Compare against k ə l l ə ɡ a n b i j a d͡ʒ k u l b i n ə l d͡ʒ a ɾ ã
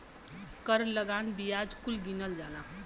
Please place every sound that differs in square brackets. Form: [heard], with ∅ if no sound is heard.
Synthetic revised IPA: k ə [ɾ] l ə ɡ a n b i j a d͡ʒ k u l [ɡ] i n ə l d͡ʒ a [l] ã